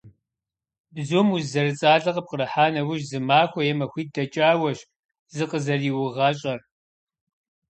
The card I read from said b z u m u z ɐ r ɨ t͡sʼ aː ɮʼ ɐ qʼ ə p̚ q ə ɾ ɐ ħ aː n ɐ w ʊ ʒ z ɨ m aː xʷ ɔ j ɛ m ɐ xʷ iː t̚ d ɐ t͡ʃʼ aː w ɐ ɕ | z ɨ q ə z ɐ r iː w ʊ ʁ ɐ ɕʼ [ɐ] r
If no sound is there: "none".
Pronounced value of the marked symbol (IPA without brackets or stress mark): ɐ